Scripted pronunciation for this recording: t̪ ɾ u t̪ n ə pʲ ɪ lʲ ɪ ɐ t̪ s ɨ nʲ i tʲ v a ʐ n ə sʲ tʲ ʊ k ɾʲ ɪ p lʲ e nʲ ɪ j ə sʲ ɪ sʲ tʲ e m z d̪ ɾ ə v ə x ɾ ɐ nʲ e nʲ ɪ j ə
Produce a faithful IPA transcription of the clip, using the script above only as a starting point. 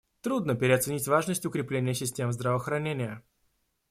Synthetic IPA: t̪ ɾ u d̪ n ə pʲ ɪ ɾʲ ɪ ɐ t̪ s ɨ nʲ i tʲ v a ʐ n ə sʲ tʲ ʊ k ɾʲ ɪ p lʲ e nʲ ɪ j ə sʲ ɪ sʲ tʲ e m z d̪ ɾ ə v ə x ɾ ɐ nʲ e nʲ ɪ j ə